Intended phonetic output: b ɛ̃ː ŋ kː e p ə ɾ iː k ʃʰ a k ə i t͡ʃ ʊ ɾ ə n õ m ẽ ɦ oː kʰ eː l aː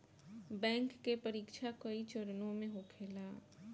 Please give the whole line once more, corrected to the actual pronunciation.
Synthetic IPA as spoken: b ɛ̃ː ŋ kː e p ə ɾ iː k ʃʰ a k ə i t͡ʃ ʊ ɾ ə n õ m ẽ ɦ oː kʰ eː l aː